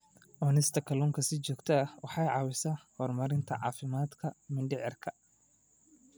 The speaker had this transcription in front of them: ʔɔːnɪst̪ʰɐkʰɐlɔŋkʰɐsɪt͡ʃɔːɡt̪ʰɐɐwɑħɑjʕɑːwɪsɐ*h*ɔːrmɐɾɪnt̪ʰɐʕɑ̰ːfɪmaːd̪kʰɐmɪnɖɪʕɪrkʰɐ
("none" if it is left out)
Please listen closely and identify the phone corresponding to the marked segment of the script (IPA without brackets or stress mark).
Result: h